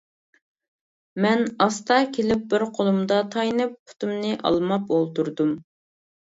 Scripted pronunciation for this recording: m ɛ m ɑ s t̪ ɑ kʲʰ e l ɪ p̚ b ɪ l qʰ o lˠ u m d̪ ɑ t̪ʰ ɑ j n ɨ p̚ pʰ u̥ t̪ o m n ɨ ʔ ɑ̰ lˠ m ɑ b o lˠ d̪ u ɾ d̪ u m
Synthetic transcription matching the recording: m ɛ n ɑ s t̪ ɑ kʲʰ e l ɪ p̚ b ɪ ɾ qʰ o lˠ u m d̪ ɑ t̪ʰ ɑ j n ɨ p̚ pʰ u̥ t̪ u m n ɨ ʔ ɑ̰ lˠ m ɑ p o lˠ t̪ u ɾ d̪ u m